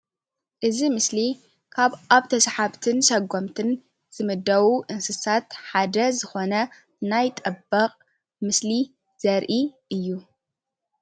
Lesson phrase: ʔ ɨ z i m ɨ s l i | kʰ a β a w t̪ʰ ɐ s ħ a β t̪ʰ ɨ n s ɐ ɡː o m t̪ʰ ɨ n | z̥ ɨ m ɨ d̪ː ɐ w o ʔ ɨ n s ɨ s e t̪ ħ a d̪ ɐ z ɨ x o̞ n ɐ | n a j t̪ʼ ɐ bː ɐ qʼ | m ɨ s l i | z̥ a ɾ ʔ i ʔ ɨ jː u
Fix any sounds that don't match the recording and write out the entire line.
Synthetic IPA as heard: ʔ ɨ z i m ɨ s l i | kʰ a β a β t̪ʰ ɐ s ħ a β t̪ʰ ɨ n s ɐ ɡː o m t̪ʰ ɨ n | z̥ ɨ m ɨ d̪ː ɐ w u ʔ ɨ n s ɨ s a t̪ ħ a d̪ ɐ z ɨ x o̞ n ɐ | n a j t̪ʼ ɐ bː ɐ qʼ | m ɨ s l i | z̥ ɐ ɾ ʔ i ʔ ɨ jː u

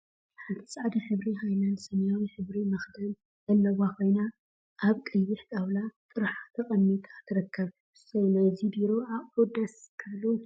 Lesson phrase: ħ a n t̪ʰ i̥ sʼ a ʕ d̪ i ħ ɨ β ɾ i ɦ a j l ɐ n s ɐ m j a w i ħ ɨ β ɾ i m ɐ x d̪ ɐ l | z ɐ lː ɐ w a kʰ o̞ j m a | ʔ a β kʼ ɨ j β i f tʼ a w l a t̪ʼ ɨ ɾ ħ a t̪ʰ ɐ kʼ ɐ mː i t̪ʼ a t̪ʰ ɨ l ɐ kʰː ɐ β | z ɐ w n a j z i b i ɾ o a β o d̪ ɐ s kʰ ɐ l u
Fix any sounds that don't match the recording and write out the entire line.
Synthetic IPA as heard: ħ a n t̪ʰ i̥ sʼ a ʕ d̪ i ħ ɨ β ɾ i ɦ a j l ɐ n s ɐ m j a w i ħ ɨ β ɾ i m ɐ x d̪ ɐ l | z ɐ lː ɐ w a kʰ o̞ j n a | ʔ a β kʼ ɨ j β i ħ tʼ a w l a t̪ʼ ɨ ɾ ħ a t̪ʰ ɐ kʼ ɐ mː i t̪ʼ a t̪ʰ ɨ ɾ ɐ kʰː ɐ β | s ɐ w n a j z i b i ɾ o a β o d̪ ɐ s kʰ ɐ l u

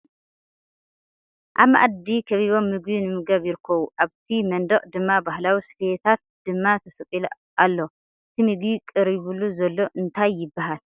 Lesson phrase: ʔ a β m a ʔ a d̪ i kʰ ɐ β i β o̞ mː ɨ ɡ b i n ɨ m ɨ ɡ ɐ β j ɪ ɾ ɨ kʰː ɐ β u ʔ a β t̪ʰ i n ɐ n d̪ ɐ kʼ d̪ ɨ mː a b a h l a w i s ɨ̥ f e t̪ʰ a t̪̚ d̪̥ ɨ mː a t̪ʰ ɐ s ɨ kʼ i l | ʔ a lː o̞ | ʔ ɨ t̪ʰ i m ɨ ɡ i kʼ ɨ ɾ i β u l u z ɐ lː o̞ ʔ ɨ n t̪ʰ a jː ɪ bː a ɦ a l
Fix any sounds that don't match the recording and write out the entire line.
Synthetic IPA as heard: ʔ a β m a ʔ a d̪ i kʰ ɐ β i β o̞ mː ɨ ɡ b i n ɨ m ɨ ɡ ɐ β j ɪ ɾ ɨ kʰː ɐ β u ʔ a β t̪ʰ i m ɐ n d̪ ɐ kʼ d̪ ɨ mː a b a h l a w i s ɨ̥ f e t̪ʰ a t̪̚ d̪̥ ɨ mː a t̪ʰ ɐ s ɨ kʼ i l | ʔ a lː o̞ | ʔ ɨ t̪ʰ i m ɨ ɡ i kʼ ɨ ɾ i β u l u z ɐ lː o̞ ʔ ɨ n t̪ʰ a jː ɪ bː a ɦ a l

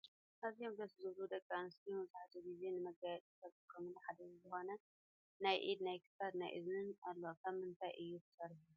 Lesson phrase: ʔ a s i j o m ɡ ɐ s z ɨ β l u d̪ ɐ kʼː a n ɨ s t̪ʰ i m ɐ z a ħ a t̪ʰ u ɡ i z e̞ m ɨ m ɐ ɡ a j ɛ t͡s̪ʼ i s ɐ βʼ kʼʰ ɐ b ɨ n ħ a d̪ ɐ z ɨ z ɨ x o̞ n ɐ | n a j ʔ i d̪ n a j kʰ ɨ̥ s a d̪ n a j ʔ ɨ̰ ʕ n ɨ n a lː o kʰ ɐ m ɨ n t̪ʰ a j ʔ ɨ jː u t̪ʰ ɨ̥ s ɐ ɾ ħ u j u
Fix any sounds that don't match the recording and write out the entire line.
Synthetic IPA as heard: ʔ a z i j o m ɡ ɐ s z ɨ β l u d̪ ɐ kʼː a n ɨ s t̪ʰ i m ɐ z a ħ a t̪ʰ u ɡ i z e̞ n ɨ m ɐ ɡ a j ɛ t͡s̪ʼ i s ɐ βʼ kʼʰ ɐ m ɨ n ħ a d̪ ɐ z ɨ z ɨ x o̞ n ɐ | n a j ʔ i d̪ n a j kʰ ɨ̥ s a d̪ n a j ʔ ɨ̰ z n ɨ n a lː o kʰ ɐ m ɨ n t̪ʰ a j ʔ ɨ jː u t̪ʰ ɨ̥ s ɐ ɾ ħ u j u

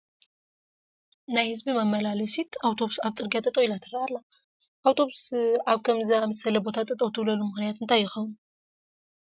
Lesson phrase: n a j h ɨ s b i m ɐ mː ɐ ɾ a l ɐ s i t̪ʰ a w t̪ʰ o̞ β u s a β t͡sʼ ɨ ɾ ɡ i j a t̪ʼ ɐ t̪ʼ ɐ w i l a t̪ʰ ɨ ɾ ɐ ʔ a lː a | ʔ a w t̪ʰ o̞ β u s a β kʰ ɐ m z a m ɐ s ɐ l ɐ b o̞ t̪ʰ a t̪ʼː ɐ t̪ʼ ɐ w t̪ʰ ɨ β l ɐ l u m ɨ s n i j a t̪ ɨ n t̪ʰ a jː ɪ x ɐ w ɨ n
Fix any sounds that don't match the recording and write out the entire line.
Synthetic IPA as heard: n a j h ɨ z b i m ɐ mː ɐ l a l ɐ s i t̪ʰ a w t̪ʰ o̞ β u s a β t͡sʼ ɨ ɾ ɡ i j a t̪ʼ ɐ t̪ʼ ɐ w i l a t̪ʰ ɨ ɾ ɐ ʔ a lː a | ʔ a w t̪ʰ o̞ β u s a β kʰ ɐ m z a m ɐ s ɐ l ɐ b o̞ t̪ʰ a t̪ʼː ɐ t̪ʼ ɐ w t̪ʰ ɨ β l ɐ l u m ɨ x n i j a t̪ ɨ n t̪ʰ a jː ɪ x ɐ w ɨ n

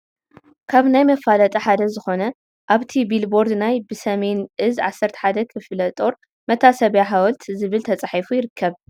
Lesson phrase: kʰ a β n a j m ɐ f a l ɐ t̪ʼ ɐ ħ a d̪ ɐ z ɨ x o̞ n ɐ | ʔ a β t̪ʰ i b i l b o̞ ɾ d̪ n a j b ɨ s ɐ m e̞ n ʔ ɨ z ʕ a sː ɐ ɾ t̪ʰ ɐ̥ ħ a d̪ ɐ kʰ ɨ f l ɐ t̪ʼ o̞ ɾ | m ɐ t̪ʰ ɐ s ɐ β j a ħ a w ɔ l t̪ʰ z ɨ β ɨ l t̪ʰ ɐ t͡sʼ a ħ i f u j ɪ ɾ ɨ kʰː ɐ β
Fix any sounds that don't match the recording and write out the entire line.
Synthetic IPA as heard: kʰ a β n a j m ɐ f a l ɐ t̪ʼ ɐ ħ a d̪ ɐ z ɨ x o̞ n ɐ | ʔ a β t̪ʰ i b i l b o̞ ɾ d̪ n a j b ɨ s ɐ m e̞ n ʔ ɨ z ʕ a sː ɐ ɾ t̪ʰ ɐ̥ ħ a d̪ ɐ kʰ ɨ f l ɐ t̪ʼ o̞ ɾ | m ɐ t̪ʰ a s ɐ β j a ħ a w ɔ l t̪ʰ z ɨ β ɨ l t̪ʰ ɐ t͡sʼ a ħ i f u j ɪ ɾ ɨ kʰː ɐ β

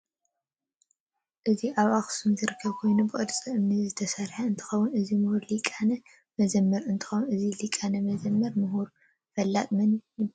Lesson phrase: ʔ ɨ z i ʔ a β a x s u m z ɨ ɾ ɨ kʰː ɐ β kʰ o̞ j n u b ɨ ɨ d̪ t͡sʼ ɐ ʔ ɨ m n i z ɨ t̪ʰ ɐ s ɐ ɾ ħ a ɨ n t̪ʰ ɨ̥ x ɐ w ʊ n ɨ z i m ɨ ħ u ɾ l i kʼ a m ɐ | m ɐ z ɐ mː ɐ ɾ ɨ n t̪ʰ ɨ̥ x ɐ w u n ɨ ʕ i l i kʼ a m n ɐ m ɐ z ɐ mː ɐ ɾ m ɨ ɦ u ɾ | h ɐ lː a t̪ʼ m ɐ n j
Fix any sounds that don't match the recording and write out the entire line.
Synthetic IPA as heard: ʔ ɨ z i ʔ a β a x s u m z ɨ ɾ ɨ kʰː ɐ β kʰ o̞ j n u b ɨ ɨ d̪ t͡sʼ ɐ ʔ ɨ m n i z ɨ t̪ʰ ɐ s ɐ ɾ ħ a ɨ n t̪ʰ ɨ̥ x ɐ w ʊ n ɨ z i m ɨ h u ɾ l i kʼ a n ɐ | m ɐ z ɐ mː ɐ ɾ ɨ n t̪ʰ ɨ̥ x ɐ w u n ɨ z i l i kʼ a n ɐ m ɐ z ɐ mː ɐ ɾ m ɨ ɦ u ɾ | f ɐ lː a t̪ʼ m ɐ n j

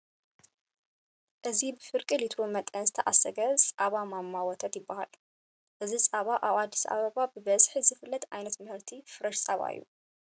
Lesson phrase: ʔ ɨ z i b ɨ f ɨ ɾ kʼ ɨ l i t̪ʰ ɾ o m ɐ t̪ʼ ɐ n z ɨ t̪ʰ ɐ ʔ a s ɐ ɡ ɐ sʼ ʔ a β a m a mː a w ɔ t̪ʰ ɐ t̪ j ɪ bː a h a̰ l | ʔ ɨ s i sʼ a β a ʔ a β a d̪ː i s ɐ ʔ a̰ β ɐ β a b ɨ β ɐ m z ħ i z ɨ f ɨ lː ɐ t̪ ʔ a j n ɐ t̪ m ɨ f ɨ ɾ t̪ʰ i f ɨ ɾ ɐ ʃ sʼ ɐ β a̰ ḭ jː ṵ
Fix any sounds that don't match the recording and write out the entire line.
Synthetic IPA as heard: ʔ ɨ z i b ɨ f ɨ ɾ kʼ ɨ l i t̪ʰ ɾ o m ɐ t̪ʼ ɐ n z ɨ t̪ʰ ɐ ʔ a s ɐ ɡ ɐ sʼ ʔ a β a m a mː a w ɔ t̪ʰ ɐ t̪ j ɪ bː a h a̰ l | ʔ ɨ z i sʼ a β a ʔ a β a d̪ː i s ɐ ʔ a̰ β ɐ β a b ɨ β ɐ z ħ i z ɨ f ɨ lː ɐ t̪ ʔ a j n ɐ t̪ m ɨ h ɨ ɾ t̪ʰ i f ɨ ɾ ɐ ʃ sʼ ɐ β a̰ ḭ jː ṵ

